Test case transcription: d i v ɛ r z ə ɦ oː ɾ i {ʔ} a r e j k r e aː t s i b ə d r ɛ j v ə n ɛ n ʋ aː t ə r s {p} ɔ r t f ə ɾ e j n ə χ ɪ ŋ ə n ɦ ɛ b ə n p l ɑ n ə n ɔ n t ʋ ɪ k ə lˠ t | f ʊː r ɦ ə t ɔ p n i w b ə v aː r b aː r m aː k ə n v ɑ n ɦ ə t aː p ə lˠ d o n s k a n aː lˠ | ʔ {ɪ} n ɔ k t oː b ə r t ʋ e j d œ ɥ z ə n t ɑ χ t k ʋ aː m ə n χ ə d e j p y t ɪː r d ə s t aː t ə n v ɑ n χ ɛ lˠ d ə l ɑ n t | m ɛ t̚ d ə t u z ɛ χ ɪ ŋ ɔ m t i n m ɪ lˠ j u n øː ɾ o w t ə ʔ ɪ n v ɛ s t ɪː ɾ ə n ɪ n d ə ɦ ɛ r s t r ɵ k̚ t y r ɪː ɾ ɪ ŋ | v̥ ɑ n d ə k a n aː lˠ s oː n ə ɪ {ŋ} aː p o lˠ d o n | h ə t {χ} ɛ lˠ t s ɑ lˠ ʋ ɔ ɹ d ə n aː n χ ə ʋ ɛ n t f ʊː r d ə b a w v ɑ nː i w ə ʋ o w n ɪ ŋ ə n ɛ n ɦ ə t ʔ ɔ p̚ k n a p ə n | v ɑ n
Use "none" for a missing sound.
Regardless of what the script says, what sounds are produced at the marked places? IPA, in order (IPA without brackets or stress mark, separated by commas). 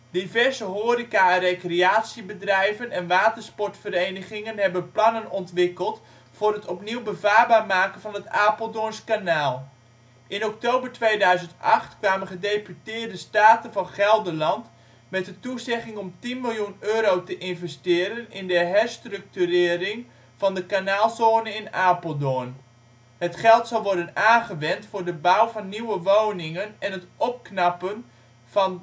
k, p, ɪ, n, χ